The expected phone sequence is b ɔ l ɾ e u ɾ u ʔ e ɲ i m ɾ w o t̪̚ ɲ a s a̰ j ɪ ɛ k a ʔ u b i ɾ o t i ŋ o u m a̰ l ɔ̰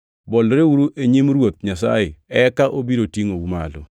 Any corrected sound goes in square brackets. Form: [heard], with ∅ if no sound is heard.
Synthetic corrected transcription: b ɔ l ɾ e u ɾ u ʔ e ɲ i m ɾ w o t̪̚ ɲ a s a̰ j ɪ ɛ k a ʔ [o] b i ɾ o t i ŋ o u m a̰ l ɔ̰